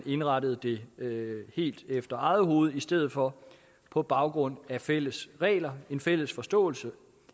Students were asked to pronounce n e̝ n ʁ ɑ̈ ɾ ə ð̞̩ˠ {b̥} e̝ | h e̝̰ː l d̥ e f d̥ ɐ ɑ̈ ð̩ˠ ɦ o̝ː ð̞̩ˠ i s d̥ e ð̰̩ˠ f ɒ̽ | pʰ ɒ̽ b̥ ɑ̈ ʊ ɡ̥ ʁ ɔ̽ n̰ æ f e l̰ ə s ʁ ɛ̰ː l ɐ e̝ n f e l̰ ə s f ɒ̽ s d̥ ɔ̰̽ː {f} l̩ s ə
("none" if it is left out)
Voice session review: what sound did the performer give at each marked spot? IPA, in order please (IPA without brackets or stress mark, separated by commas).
d̥, none